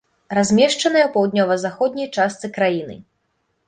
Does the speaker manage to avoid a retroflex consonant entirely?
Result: no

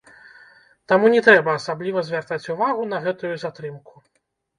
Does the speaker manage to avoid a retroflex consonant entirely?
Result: yes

